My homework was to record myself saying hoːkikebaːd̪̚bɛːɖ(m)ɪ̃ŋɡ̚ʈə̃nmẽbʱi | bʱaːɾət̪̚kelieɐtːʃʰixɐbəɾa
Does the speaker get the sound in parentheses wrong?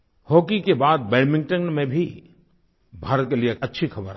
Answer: no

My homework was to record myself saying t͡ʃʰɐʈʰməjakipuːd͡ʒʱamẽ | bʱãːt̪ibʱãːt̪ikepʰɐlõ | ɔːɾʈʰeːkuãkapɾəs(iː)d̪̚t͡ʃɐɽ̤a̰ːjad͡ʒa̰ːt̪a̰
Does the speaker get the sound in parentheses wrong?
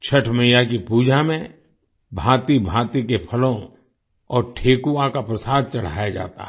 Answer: yes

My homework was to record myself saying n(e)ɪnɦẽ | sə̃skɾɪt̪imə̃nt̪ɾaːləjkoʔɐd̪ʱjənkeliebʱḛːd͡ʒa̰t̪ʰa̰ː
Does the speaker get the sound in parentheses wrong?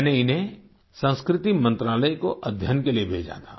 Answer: no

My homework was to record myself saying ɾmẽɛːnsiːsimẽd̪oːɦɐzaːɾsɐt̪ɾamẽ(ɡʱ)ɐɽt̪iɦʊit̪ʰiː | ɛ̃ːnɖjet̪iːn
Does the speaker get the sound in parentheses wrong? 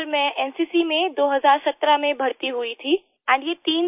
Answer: yes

